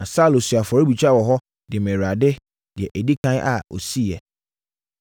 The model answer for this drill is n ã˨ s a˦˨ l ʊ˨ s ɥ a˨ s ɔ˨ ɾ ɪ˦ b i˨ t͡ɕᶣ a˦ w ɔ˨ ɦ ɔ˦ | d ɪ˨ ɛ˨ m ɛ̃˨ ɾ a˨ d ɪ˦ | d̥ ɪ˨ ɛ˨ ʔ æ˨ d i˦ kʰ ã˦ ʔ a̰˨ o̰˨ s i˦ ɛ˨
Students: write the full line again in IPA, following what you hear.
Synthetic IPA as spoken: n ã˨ s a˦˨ l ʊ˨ s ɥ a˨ f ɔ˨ ɾ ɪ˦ b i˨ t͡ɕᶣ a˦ w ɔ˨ ɦ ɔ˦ | d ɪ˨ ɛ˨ m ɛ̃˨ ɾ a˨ d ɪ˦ | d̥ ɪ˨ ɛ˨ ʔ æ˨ d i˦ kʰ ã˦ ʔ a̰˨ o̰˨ s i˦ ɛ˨